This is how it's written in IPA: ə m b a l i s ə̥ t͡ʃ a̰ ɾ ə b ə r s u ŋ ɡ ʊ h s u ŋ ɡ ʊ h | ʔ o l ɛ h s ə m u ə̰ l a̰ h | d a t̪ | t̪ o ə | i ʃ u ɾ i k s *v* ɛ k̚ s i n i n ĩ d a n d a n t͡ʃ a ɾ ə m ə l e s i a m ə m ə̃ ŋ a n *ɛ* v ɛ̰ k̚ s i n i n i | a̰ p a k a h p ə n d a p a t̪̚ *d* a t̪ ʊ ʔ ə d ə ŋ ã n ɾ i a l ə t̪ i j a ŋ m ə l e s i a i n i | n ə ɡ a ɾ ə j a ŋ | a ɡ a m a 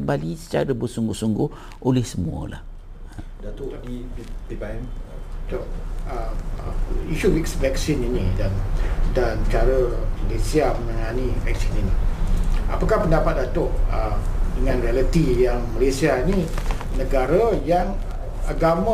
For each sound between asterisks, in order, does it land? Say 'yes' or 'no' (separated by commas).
yes, no, yes